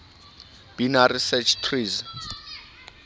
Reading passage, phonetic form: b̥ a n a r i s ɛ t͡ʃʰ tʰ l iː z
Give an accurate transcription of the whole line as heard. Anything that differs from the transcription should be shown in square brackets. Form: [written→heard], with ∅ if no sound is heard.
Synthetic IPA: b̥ [a→i] n a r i s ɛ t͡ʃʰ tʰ [l→r] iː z

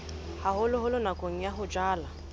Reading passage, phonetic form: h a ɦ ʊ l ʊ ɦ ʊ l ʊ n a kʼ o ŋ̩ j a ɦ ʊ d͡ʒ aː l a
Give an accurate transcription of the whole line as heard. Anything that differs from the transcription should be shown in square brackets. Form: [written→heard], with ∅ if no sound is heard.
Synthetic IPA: h a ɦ ʊ l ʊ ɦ ʊ l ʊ n a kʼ o ŋ̩ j a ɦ ʊ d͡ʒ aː l a

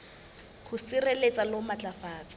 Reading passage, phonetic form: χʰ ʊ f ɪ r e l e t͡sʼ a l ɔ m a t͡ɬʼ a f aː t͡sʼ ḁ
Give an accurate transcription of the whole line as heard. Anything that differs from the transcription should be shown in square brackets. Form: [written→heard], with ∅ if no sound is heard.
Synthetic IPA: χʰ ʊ [f→s] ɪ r e l e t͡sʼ a l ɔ m a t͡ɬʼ a f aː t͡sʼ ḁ

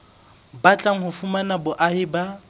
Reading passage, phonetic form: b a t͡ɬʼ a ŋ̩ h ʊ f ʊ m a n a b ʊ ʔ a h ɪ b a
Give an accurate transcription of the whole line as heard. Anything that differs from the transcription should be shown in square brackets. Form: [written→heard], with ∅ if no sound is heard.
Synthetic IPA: b a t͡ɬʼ a ŋ̩ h ʊ f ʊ m a n a b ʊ ʔ a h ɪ b a

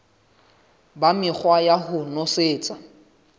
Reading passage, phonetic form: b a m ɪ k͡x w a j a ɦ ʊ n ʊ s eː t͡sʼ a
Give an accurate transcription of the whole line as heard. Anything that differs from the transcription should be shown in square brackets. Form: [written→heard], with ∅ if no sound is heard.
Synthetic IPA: b a m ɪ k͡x w a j a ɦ ʊ n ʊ s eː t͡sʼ a

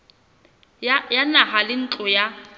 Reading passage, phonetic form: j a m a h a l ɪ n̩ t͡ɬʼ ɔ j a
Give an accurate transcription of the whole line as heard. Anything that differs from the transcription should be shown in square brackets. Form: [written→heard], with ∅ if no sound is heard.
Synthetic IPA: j a [m→n] a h a l ɪ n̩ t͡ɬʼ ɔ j a

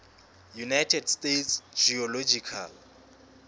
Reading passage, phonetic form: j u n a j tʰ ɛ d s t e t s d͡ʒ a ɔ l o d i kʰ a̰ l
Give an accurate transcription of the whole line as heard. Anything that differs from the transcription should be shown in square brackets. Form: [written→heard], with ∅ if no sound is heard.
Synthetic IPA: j u n a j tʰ ɛ d s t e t s d͡ʒ [a→i] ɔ l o [d→d͡ʒ] i kʰ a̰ l

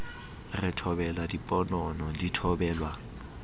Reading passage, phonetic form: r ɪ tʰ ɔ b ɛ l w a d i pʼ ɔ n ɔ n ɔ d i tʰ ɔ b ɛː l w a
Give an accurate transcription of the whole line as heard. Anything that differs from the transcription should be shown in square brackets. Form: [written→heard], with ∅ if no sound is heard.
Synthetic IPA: r ɪ tʰ ɔ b ɛ l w a d i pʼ ɔ n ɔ n ɔ d i tʰ ɔ b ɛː l w a

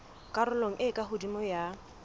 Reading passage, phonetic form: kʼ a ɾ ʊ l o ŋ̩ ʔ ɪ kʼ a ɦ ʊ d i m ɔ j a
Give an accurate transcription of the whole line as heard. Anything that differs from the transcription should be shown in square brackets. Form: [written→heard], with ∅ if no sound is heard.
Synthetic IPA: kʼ a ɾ ʊ l o ŋ̩ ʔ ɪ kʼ a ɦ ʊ d i m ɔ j a

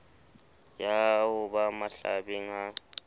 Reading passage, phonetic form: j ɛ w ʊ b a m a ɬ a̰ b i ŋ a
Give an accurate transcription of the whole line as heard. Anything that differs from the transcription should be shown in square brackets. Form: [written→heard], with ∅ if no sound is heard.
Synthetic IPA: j [ɛ→a] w ʊ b a m a ɬ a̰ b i ŋ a

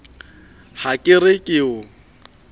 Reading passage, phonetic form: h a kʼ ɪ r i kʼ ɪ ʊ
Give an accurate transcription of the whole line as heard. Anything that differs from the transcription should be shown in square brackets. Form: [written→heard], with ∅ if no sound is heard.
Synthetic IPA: h a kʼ ɪ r [i→ɪ] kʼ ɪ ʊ

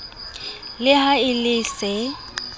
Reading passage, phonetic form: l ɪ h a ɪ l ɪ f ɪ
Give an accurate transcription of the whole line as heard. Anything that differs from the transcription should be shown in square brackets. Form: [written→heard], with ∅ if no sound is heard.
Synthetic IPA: l ɪ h a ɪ l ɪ [f→s] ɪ

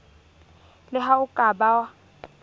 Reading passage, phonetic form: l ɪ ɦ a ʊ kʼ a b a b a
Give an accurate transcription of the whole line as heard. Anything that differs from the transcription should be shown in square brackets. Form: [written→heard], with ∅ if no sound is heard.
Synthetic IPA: l ɪ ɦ a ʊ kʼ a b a [b→w] a

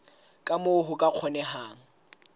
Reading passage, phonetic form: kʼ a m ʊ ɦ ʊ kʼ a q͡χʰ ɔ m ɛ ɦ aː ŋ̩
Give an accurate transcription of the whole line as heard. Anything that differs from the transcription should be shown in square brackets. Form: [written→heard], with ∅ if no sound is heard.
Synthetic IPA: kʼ a m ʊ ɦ ʊ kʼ a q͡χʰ ɔ [m→n] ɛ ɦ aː ŋ̩

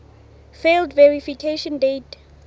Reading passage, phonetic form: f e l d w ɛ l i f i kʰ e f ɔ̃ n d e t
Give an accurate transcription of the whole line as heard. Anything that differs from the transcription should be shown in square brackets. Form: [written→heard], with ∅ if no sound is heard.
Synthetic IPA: f e l d [w→v] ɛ [l→ɹ] i f i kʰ e [f→ʃ] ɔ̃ n d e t

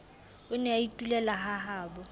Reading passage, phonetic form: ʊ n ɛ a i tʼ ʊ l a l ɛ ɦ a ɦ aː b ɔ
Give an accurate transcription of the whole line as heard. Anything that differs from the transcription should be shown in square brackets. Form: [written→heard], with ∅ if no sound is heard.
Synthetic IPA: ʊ n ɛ a i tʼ [ʊ→u] l [a→ɛ] l [ɛ→a] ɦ a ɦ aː b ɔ

